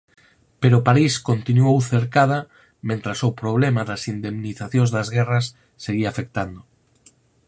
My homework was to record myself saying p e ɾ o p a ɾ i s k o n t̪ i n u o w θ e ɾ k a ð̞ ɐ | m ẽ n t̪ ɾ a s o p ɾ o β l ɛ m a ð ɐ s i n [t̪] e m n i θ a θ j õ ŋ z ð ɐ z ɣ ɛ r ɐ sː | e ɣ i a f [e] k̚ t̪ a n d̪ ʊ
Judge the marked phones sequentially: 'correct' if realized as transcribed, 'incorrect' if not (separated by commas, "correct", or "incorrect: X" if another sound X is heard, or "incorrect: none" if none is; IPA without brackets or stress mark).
incorrect: d̪, correct